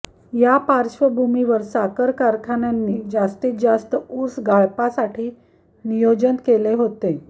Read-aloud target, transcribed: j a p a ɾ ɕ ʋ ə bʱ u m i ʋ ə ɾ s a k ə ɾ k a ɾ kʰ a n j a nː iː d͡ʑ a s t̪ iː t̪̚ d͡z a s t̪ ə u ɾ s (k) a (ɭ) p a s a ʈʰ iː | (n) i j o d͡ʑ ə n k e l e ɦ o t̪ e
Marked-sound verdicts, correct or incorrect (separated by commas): incorrect, correct, correct